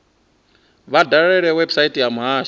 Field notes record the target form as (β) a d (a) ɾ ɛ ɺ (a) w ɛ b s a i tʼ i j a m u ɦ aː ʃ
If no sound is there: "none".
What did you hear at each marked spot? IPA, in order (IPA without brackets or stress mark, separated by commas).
β, a, ɛ